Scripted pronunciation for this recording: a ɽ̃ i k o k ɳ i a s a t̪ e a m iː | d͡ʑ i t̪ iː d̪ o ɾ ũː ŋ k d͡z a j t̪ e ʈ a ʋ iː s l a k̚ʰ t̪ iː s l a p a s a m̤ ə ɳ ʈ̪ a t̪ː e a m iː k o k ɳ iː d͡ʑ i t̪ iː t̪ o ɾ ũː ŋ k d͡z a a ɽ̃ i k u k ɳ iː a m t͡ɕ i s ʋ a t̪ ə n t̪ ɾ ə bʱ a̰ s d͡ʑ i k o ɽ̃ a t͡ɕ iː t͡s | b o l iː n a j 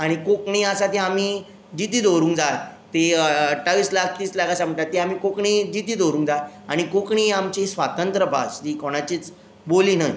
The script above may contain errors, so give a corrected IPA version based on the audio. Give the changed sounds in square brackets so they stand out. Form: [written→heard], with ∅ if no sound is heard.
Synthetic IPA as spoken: a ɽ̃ i k o k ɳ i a s a t̪ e a m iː | d͡ʑ i t̪ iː d̪ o ɾ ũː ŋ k d͡z a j t̪ e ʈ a ʋ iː s l a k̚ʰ t̪ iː s l a [p→k] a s a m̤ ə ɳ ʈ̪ a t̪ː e a m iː k o k ɳ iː d͡ʑ i t̪ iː [t̪→d̪] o ɾ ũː ŋ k d͡z a a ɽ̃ i k [u→o] k ɳ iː a m t͡ɕ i s ʋ a t̪ ə n t̪ ɾ ə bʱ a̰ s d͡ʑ i k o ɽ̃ a t͡ɕ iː t͡s | b o l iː n a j